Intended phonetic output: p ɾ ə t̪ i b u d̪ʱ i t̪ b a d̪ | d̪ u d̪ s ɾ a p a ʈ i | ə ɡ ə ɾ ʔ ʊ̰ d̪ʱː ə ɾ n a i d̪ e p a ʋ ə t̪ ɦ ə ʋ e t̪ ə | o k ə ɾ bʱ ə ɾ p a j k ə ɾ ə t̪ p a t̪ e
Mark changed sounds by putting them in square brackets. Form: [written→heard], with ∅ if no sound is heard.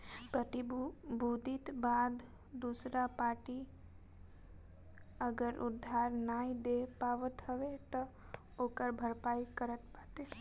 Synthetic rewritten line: p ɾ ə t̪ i b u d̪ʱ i t̪ b a d̪ | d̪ u [d̪→∅] s ɾ a p a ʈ i | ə ɡ ə ɾ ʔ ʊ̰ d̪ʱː [ə→a] ɾ n a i d̪ e p a ʋ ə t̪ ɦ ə ʋ e t̪ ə | o k ə ɾ bʱ ə ɾ p a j k ə ɾ ə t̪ p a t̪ e